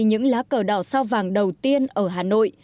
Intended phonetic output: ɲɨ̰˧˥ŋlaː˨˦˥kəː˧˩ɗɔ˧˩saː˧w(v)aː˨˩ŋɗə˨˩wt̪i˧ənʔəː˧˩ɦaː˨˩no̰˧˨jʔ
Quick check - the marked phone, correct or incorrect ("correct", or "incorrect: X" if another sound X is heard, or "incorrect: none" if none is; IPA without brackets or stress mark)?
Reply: correct